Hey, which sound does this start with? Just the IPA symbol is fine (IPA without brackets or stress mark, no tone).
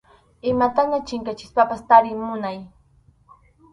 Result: ɪ